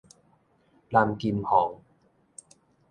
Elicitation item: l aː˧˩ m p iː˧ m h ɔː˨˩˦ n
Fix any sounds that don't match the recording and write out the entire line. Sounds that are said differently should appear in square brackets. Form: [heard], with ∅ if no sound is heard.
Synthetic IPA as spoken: l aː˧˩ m [k] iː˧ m h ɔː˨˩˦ [ŋ]